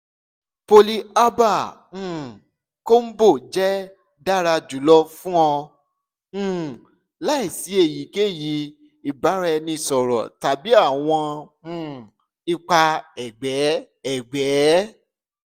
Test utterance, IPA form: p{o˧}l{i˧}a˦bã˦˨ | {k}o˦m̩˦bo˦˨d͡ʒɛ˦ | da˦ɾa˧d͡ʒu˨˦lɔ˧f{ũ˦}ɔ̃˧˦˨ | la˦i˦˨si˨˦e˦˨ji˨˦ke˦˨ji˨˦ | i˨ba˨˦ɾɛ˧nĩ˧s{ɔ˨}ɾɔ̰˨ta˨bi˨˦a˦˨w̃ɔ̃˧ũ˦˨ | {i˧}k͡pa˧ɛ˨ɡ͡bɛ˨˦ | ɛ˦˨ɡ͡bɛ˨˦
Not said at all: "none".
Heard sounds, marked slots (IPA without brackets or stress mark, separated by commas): o˧, i˧, k, ũ˦, ɔ˨, i˧